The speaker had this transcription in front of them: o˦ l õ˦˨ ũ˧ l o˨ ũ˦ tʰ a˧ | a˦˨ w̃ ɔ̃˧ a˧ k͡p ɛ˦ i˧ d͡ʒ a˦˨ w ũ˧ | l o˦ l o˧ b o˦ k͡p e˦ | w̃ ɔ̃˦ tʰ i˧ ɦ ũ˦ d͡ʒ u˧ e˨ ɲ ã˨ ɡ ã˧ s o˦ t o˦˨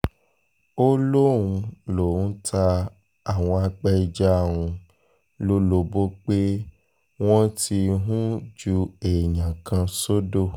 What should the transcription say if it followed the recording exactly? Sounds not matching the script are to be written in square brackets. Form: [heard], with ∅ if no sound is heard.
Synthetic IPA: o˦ l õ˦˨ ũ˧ l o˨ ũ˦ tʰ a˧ | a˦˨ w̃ ɔ̃˧ a˧ k͡p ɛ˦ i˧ d͡ʒ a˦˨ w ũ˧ | l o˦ l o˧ b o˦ k͡p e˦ | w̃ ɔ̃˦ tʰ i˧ ɦ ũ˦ d͡ʒ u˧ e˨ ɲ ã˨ [k] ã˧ s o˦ [d] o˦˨

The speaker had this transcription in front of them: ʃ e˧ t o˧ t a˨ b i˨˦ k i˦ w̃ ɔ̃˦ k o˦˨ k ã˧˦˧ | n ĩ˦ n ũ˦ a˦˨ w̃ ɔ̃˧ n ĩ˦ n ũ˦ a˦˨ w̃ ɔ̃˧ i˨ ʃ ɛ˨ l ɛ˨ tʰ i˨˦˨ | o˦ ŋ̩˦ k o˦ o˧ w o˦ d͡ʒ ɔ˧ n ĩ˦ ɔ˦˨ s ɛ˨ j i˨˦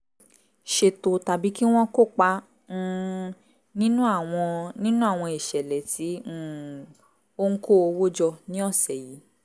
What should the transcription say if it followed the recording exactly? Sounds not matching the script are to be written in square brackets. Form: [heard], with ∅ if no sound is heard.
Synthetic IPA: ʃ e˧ t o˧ t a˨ b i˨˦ k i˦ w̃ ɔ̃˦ k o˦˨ [k͡p] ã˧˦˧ | n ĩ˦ n ũ˦ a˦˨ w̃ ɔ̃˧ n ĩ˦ n ũ˦ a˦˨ w̃ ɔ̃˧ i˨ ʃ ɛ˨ l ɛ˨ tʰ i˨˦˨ | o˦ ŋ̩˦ k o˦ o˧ w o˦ d͡ʒ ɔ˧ n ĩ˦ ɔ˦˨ s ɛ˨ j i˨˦

